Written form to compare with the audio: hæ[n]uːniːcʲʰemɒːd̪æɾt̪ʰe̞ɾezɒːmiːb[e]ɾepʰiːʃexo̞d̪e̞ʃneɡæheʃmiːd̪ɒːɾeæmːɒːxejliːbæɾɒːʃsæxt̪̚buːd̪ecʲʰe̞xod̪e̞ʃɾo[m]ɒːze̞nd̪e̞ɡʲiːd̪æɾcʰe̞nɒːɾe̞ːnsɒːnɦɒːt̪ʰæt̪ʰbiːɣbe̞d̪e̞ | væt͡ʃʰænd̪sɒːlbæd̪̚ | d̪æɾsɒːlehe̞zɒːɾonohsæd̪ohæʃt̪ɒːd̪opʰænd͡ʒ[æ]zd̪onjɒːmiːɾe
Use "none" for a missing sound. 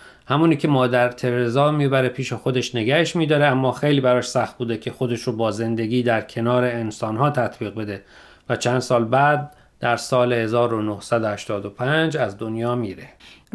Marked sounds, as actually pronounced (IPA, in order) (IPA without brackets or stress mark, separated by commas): m, æ, b, æ